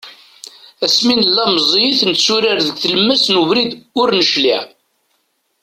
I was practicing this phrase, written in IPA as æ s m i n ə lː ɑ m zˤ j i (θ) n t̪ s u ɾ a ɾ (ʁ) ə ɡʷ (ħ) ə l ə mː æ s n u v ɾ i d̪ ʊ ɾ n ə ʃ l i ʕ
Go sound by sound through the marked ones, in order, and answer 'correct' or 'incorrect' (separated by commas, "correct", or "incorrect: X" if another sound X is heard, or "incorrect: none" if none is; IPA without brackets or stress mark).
correct, incorrect: ð, incorrect: θ